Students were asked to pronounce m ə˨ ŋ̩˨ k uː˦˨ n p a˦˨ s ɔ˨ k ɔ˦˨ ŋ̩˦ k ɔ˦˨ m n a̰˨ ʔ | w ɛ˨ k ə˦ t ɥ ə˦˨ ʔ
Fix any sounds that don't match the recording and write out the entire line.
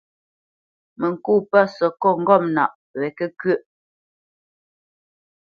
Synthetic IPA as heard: m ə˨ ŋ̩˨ k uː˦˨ p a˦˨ s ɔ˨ k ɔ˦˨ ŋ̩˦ ɡ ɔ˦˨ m n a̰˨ ʔ | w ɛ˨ k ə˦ k ɥ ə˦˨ ʔ